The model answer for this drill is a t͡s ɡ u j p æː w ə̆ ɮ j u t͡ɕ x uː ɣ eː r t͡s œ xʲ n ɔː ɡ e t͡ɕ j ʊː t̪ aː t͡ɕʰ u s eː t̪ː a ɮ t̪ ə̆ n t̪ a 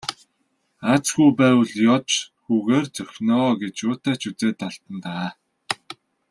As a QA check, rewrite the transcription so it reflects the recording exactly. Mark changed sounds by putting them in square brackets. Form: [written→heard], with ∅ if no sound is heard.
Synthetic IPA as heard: a t͡s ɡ u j p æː w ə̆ ɮ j [u→ɔ] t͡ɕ x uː ɣ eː r t͡s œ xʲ n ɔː ɡ e t͡ɕ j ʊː t̪ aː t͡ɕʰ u [s→t͡s] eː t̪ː a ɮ t̪ ə̆ n t̪ a